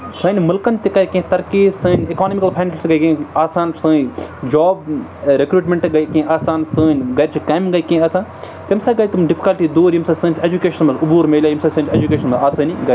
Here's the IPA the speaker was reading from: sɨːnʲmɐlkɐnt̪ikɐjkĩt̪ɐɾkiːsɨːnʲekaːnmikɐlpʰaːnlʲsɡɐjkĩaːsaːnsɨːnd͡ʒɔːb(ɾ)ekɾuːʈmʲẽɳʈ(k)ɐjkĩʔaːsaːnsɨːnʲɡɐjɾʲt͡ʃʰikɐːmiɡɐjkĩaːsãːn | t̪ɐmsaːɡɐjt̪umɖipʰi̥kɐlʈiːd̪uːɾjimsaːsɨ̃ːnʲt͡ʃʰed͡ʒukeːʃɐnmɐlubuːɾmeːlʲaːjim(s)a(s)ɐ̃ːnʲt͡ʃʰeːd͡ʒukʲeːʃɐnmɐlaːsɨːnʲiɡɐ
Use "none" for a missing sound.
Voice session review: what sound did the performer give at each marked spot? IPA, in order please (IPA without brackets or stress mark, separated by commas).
ɾ, ɡ, s, s